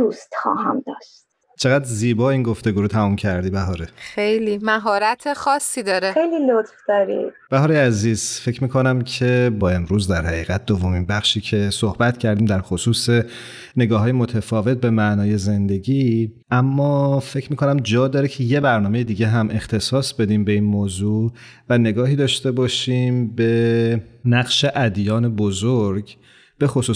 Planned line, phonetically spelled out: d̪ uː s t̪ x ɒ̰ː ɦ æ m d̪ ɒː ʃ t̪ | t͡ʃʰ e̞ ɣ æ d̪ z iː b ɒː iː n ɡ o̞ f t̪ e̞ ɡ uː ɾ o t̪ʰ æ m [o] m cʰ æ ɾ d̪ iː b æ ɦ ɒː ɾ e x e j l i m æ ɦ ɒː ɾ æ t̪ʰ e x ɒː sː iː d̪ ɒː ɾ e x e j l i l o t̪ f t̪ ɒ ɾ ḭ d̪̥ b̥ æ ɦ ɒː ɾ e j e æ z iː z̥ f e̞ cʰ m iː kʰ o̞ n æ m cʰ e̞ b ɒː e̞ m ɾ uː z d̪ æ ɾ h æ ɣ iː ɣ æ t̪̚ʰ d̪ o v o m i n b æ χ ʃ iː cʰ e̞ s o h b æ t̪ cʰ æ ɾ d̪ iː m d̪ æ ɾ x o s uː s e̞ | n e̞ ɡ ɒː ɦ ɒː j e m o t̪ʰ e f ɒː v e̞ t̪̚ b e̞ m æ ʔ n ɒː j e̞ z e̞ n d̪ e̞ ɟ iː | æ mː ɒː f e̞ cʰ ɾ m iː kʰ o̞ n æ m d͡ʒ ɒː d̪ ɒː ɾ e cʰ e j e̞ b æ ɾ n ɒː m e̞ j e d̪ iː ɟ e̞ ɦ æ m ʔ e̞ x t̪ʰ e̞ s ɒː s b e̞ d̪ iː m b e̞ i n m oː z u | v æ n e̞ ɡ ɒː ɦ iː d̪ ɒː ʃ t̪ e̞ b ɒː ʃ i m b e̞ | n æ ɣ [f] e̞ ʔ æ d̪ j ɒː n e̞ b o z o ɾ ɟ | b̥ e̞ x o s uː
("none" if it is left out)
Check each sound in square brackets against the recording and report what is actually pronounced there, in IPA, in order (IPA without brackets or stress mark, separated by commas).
u, ʃ